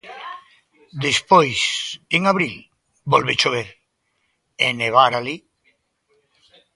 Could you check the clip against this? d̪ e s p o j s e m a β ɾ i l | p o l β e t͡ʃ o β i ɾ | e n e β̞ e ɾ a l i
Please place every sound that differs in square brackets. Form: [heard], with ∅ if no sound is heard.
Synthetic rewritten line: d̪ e s p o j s e [ŋ] a β ɾ i l | [b] o l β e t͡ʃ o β [e] ɾ | e n e β̞ [a] ɾ a l i